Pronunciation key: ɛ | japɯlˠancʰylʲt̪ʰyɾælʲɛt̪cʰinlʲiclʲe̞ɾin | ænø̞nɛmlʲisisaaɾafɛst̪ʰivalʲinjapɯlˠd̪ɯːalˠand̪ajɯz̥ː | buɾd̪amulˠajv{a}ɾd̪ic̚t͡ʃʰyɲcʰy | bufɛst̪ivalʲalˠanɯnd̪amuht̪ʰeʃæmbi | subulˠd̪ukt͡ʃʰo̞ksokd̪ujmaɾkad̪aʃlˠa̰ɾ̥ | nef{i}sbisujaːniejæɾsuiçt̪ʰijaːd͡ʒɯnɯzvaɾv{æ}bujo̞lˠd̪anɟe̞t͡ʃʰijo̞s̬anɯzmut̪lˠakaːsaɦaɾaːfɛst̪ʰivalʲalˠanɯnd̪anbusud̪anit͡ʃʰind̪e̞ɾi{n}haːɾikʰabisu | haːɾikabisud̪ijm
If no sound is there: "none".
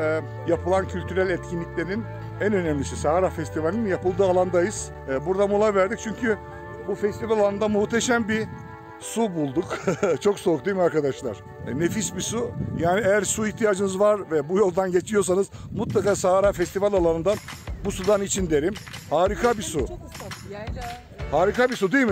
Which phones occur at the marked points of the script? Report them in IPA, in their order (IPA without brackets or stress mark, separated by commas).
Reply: æ, i, ɛ, m